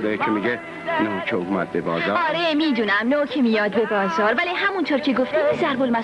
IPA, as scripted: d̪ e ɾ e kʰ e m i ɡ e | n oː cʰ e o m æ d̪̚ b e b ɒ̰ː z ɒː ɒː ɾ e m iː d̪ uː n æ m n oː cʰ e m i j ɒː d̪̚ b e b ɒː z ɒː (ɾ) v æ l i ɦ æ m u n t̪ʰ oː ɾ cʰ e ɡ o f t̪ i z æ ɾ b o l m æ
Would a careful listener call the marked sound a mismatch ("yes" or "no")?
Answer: no